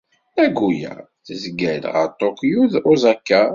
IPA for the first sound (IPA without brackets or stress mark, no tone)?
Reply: æ